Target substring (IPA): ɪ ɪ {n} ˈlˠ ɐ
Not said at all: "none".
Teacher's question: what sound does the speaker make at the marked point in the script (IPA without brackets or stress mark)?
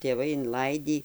n